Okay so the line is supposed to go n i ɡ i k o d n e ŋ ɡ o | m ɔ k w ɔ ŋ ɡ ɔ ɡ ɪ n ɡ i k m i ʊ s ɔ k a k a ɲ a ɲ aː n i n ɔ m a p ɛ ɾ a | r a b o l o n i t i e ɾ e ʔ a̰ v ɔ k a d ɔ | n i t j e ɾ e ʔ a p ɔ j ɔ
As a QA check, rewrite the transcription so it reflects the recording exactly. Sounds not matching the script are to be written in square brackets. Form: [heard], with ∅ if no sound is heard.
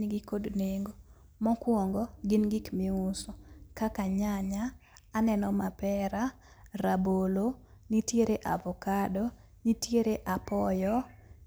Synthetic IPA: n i ɡ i k o d n e ŋ ɡ o | m ɔ k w ɔ ŋ ɡ ɔ ɡ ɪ n ɡ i k m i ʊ s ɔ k a k a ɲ a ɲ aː n [ɛ] n ɔ m a p ɛ ɾ a | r a b o l o n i t [j] e ɾ e ʔ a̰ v ɔ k a d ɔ | n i t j e ɾ e ʔ a p ɔ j ɔ